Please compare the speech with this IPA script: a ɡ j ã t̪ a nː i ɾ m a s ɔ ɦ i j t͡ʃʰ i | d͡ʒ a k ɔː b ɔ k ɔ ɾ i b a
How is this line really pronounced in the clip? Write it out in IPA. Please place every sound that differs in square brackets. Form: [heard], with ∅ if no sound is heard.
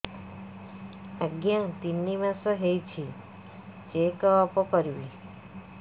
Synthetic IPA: a ɡ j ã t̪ [i] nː i [∅] m a s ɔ ɦ [e] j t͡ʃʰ i | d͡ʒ [e] k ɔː [p] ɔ k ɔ ɾ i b [i]